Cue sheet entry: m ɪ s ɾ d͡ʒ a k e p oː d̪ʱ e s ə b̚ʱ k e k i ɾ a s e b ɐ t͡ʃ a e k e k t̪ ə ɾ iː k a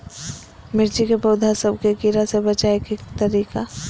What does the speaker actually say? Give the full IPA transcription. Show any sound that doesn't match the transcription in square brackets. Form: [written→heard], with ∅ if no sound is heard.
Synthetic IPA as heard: m ɪ [s→∅] ɾ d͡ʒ [a→i] k e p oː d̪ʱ [e→a] s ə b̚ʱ k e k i ɾ a s e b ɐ t͡ʃ a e k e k t̪ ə ɾ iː k a

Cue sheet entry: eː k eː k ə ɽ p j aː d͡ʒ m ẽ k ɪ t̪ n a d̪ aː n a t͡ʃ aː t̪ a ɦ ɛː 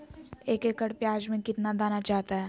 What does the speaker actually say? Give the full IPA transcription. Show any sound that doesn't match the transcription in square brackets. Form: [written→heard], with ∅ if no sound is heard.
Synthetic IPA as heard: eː k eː k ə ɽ p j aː d͡ʒ m ẽ k ɪ t̪ n a d̪ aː n a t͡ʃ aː t̪ a ɦ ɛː

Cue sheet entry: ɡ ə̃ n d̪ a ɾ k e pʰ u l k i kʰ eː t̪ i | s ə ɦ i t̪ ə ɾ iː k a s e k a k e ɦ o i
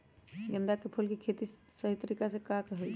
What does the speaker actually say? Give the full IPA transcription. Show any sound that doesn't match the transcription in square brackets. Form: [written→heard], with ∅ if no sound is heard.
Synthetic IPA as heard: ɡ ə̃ n d̪ a [ɾ→∅] k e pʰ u l k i kʰ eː t̪ i | s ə ɦ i t̪ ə ɾ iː k a s e k a k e ɦ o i

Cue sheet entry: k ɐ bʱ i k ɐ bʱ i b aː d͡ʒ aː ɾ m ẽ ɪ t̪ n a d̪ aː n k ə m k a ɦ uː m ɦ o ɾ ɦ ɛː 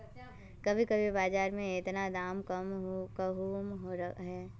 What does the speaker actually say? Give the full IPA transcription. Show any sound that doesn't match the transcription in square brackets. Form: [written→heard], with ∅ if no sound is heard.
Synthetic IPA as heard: k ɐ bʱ i k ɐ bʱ i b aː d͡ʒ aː ɾ m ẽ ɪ t̪ n a d̪ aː [n→m] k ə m k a ɦ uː m ɦ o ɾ ɦ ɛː

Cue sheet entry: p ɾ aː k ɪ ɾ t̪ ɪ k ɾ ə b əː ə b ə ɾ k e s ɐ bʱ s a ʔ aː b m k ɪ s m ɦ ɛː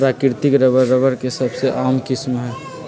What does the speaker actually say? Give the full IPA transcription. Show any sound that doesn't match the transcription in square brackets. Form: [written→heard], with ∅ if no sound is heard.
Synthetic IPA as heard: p ɾ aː k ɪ ɾ t̪ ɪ k ɾ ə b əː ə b ə ɾ k e s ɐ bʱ s [a→e] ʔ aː [b→∅] m k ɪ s m ɦ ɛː

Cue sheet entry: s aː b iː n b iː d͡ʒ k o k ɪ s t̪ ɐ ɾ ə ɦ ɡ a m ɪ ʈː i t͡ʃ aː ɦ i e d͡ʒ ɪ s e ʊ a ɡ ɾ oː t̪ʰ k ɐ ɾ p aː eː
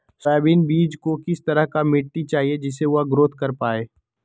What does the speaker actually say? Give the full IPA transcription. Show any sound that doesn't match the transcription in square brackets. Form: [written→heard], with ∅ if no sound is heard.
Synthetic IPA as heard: s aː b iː n b iː d͡ʒ k o k ɪ s t̪ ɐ ɾ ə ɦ [ɡ→k] a m ɪ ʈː i t͡ʃ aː ɦ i e d͡ʒ ɪ s e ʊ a ɡ ɾ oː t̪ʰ k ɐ ɾ p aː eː

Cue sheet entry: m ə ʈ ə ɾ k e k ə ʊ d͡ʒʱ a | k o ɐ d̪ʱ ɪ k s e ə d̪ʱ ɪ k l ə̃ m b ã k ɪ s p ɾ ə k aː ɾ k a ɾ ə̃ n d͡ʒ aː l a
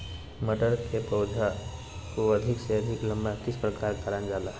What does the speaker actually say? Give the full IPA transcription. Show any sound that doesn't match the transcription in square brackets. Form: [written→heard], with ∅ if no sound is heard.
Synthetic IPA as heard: m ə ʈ ə ɾ k e [k→p] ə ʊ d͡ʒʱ a | k o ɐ d̪ʱ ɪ k s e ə d̪ʱ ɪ k l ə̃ m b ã k ɪ s p ɾ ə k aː ɾ k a ɾ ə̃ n d͡ʒ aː l a

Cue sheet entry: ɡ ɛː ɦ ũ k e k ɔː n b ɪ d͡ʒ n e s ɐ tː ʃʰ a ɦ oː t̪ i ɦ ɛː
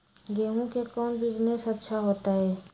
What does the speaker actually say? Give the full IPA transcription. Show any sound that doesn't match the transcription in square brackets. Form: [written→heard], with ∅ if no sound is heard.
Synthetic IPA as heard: ɡ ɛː ɦ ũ k e k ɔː n b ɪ d͡ʒ n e s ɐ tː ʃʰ a ɦ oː t̪ [i→a] ɦ ɛː

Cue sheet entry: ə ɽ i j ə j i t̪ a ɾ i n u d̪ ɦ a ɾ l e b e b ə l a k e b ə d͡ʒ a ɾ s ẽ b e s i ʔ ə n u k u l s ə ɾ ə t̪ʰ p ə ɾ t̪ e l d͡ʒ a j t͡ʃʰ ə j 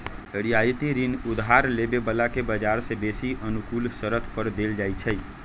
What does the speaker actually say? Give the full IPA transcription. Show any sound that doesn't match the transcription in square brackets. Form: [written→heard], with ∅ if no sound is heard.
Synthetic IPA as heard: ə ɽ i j [ə→a] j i t̪ [a→i] ɾ i n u d̪ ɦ a ɾ l e b e b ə l a k e b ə d͡ʒ a ɾ s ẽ b e s i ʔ ə n u k u l s ə ɾ ə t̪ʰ p ə ɾ [t̪→d̪] e l d͡ʒ a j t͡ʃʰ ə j

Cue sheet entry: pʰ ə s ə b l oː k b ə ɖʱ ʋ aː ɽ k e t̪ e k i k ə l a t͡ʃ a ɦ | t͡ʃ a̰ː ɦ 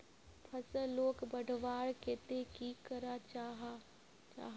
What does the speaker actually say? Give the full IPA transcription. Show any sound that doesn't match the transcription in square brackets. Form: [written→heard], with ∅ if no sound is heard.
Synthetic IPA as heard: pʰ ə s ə [b→∅] l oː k b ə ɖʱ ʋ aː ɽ k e t̪ e k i k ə [l→ɾ] a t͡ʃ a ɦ | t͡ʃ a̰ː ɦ

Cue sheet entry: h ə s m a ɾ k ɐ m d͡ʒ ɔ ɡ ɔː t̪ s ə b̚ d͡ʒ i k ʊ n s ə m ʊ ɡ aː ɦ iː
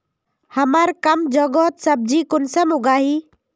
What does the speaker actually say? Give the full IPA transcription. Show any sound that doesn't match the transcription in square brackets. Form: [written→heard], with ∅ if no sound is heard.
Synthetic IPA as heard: h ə [s→∅] m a ɾ k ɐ m d͡ʒ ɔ ɡ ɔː t̪ s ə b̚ d͡ʒ i k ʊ n s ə m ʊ ɡ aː ɦ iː

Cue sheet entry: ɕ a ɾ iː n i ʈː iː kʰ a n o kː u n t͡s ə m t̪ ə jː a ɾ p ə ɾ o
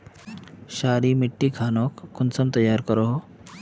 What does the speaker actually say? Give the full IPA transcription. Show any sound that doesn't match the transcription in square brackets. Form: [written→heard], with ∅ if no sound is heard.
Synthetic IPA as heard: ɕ a ɾ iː [n→m] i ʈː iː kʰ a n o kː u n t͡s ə m t̪ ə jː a ɾ [p→k] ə ɾ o

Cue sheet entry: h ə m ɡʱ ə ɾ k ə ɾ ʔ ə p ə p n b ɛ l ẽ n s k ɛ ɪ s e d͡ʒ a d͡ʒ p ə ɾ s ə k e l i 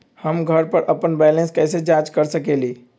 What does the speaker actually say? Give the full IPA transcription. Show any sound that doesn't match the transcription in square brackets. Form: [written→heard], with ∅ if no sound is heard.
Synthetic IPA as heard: h ə m ɡʱ ə ɾ [k→p] ə ɾ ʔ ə p ə [p→∅] n b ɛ l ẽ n s k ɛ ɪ s e d͡ʒ a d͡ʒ [p→k] ə ɾ s ə k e l i

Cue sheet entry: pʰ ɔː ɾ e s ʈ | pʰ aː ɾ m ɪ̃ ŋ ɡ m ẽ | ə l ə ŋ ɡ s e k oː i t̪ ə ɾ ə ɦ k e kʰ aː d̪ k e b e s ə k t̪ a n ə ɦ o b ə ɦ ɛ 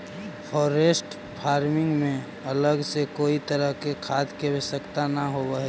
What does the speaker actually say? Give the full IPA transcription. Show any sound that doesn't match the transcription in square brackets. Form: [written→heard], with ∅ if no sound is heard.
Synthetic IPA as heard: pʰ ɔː ɾ e s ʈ | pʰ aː ɾ m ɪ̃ ŋ ɡ m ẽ | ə l ə [ŋ→∅] ɡ s e k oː i t̪ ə ɾ ə ɦ k e kʰ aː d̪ k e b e s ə k t̪ a n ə ɦ o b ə ɦ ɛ

